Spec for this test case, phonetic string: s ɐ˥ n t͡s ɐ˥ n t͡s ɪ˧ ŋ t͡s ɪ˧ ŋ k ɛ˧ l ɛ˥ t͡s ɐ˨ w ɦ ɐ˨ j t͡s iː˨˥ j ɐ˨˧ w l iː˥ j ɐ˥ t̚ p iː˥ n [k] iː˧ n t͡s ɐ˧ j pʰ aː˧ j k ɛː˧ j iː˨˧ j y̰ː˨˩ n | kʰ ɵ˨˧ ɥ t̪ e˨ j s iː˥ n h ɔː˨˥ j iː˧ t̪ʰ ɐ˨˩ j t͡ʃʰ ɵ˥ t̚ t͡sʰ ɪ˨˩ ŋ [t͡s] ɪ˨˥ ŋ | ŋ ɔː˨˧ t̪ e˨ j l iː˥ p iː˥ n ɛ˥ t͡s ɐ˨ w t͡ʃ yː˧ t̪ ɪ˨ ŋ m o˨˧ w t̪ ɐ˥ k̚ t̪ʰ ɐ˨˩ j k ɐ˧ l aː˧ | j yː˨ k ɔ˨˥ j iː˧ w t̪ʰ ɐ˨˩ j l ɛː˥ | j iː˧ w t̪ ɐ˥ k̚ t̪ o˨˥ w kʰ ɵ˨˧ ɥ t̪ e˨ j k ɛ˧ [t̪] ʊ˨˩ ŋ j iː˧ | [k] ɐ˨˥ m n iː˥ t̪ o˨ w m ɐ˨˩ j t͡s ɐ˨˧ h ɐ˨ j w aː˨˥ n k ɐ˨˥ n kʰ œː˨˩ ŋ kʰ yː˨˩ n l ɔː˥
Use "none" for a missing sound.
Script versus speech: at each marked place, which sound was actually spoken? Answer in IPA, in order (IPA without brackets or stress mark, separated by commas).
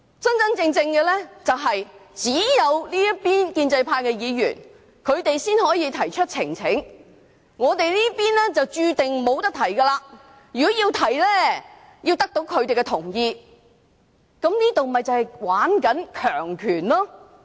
k, t͡sʰ, t̪ʰ, k